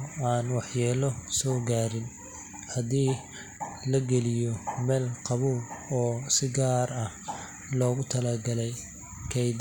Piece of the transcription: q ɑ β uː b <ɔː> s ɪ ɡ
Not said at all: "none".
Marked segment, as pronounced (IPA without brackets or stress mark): ɔː